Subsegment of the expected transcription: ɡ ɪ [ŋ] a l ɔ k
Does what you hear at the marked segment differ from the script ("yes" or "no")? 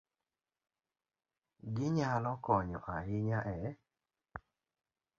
yes